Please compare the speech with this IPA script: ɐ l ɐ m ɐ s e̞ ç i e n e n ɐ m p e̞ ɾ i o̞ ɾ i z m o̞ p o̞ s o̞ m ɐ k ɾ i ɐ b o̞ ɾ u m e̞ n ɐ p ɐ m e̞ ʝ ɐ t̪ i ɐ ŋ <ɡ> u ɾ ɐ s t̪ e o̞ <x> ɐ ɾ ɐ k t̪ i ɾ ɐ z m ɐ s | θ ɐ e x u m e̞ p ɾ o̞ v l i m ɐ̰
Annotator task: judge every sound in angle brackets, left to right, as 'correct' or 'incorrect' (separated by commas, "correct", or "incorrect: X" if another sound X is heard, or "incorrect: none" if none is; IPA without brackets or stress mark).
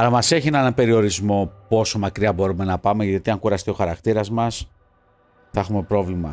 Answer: incorrect: k, correct